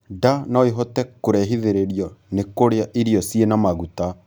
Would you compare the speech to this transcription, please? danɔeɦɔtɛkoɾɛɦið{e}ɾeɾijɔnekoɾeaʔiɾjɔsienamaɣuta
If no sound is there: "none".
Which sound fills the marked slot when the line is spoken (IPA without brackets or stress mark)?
e